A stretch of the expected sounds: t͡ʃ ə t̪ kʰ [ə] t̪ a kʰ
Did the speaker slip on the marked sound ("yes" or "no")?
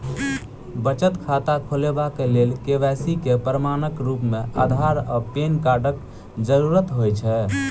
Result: yes